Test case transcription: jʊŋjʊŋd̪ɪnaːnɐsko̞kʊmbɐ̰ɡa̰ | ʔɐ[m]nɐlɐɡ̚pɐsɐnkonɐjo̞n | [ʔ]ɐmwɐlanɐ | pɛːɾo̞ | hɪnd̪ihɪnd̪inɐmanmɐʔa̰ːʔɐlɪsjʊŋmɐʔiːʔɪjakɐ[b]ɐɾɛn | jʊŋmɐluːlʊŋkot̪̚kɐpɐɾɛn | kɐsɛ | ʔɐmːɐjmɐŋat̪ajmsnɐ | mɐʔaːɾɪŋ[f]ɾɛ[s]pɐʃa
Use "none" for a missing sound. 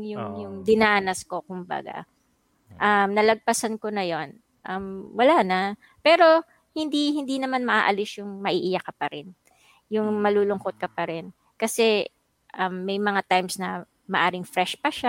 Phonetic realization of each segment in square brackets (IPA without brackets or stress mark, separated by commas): m, ʔ, p, f, ʃ